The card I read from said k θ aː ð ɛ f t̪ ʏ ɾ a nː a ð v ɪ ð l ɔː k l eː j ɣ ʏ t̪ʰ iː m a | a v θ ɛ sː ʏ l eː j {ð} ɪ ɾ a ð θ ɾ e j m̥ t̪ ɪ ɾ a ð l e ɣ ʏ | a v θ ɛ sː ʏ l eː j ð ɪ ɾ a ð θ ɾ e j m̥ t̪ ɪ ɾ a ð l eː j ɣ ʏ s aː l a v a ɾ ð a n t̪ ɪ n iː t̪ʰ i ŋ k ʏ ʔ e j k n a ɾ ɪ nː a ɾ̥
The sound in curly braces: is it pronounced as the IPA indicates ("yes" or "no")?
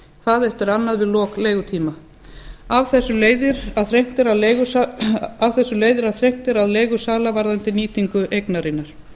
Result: yes